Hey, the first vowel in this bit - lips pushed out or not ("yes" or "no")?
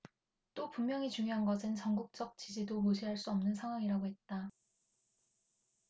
yes